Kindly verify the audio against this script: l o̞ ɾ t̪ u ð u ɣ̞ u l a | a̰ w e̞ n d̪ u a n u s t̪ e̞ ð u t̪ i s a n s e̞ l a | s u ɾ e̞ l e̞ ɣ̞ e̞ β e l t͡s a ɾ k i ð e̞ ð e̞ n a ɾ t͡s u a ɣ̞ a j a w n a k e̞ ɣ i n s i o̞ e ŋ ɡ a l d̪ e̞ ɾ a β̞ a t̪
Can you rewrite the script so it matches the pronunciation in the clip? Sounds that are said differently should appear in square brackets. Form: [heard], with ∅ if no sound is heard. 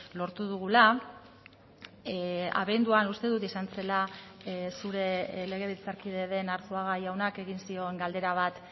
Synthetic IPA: l o̞ ɾ t̪ u ð u ɣ̞ u l a | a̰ [β] e̞ n d̪ u a n u s t̪ e̞ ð u t̪ i s a n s e̞ l a | s u ɾ e̞ l e̞ ɣ̞ e̞ β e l t͡s a ɾ k i ð e̞ ð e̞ n a ɾ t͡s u a ɣ̞ a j a w n a k e̞ ɣ i n s i o̞ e ŋ ɡ a l d̪ e̞ ɾ a β̞ a t̪